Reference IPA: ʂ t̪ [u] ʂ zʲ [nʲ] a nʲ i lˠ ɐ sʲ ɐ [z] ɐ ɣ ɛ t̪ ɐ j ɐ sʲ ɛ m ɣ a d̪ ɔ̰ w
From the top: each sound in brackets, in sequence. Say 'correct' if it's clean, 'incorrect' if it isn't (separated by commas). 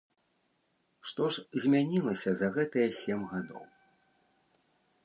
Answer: incorrect, incorrect, correct